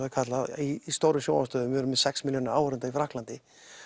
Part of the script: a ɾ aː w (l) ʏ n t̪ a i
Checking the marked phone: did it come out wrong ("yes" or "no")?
yes